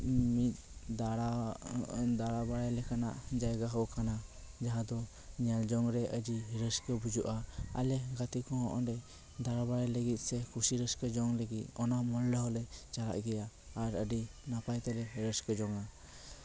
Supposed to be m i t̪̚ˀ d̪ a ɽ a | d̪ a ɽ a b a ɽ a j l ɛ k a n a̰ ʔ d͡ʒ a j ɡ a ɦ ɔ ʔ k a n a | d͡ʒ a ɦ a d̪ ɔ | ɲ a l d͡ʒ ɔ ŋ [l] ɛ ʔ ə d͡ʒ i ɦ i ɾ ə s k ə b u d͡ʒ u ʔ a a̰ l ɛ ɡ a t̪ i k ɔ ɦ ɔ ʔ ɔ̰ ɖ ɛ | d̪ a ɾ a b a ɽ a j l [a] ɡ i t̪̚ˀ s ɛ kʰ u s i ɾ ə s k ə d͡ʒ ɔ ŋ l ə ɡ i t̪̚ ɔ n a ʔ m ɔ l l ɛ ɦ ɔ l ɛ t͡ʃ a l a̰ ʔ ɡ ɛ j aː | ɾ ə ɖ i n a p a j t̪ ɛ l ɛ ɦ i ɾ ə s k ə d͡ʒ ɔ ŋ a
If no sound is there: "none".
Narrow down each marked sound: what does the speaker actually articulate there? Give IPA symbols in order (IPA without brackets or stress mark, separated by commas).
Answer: ɾ, ə